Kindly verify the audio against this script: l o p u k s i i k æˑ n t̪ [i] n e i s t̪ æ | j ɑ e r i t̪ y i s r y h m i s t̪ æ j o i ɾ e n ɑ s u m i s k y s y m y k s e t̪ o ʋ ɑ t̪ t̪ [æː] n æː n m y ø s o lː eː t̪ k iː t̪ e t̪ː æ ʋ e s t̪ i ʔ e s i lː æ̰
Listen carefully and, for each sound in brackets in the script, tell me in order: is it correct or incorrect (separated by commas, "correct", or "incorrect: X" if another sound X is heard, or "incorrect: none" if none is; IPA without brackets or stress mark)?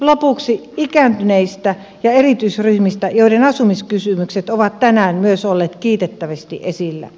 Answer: incorrect: y, incorrect: æ